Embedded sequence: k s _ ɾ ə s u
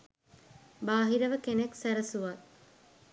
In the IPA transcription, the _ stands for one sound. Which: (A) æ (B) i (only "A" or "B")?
A